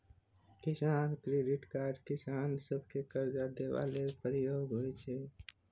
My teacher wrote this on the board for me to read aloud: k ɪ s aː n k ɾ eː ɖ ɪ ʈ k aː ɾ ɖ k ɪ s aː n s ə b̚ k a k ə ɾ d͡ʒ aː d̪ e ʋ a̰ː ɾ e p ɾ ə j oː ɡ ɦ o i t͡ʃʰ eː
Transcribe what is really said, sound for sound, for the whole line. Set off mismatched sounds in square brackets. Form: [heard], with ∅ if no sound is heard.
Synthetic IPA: k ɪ s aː n k ɾ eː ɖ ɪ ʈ k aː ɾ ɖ k ɪ s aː n s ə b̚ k [e] k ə ɾ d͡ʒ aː d̪ e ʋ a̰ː [l] e p ɾ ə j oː ɡ ɦ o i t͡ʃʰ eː